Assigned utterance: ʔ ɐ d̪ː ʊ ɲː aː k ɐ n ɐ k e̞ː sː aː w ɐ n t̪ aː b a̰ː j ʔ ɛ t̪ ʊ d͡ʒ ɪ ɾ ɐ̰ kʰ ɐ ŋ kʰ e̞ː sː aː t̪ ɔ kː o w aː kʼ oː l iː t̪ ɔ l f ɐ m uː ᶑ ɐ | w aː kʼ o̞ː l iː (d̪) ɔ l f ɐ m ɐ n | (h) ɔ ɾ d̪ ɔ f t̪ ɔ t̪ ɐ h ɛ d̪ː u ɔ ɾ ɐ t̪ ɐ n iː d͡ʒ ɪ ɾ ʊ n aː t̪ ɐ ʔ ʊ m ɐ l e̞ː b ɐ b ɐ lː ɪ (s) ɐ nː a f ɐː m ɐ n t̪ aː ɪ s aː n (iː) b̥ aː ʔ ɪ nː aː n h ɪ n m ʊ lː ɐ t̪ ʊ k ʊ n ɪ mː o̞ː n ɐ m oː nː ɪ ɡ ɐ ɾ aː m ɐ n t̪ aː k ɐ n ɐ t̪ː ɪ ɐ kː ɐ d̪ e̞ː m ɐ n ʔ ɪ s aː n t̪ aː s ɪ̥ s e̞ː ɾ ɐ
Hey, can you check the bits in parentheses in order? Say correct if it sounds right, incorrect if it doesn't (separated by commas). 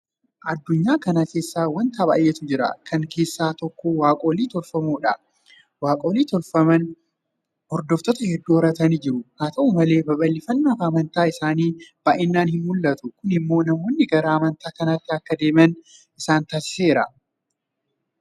incorrect, correct, incorrect, correct